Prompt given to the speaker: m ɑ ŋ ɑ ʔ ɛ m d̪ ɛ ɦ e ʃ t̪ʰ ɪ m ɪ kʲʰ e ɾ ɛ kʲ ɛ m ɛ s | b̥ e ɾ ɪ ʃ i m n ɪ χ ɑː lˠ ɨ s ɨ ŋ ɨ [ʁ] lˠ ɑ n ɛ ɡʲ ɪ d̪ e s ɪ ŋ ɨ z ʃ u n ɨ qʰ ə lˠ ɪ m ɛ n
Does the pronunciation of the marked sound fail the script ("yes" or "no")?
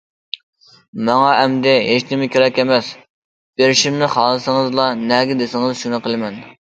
yes